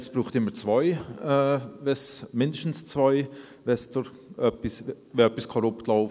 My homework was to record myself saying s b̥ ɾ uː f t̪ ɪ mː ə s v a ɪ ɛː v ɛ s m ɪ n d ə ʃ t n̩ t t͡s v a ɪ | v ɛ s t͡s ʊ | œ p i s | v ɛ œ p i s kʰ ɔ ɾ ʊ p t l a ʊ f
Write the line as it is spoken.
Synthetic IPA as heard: s b̥ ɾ uː χ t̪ ɪ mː ə t͡s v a ɪ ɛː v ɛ s m ɪ n d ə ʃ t n̩ s t͡s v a ɪ | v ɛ s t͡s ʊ | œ p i s | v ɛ œ p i s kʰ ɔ ɾ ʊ p t l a ʊ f